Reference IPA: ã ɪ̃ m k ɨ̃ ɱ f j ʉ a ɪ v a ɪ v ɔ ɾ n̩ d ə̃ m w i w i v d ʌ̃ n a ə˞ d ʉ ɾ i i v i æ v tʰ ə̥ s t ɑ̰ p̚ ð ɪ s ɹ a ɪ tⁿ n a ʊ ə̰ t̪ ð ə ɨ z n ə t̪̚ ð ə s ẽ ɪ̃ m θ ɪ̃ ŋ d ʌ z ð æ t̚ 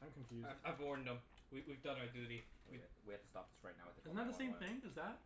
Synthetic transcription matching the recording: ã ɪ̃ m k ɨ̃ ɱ f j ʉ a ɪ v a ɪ v ɔ ɹ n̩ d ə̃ m w i w i v d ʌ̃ n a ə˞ d ʉ ɾ i i w i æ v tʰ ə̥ s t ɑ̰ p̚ ð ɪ s ɹ a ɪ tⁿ n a ʊ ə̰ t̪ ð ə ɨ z n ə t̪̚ ð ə s ẽ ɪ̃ m θ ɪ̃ ŋ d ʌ z ð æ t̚